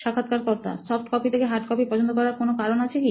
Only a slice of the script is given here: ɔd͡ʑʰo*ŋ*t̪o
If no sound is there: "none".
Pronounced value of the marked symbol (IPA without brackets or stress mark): n